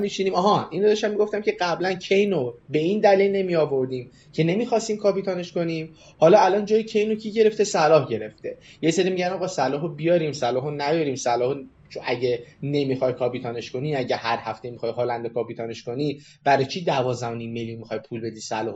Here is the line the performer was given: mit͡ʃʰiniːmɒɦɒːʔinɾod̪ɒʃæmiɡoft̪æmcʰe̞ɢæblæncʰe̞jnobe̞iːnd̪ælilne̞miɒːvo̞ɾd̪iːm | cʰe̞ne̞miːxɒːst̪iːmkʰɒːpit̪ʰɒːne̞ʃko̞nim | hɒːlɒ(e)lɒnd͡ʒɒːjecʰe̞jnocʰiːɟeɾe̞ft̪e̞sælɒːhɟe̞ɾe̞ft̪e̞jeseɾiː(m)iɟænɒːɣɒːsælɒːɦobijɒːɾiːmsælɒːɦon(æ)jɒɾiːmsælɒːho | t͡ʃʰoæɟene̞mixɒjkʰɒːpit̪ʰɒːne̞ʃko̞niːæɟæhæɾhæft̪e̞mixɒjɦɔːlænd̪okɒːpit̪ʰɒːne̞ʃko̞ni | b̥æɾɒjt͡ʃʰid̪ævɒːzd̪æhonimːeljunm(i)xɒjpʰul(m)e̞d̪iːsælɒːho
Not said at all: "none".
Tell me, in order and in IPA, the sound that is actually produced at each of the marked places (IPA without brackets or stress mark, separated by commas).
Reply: æ, m, æ, i, b